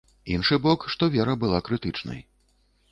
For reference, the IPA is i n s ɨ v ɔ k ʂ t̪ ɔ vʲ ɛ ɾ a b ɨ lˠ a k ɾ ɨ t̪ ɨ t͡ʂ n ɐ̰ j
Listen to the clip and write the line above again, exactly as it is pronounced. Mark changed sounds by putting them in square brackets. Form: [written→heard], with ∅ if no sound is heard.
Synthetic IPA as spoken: i n [s→ʂ] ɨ [v→b] ɔ k ʂ t̪ ɔ vʲ ɛ ɾ [a→ɐ] b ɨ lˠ a k ɾ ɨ t̪ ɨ t͡ʂ n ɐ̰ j